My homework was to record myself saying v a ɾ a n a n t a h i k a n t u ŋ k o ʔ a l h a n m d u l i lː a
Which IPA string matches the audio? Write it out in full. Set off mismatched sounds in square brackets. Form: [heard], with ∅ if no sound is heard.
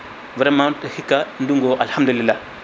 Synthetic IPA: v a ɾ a [m] a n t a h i k a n [d] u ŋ [ɡ] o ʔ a l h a [∅] m d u l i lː a